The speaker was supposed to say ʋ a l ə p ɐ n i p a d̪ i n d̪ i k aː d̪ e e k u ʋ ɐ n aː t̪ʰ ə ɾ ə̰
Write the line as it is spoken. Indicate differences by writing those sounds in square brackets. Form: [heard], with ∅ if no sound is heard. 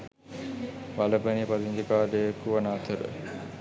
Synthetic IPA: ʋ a l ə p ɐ n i p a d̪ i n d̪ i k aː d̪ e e k u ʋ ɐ n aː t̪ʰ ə ɾ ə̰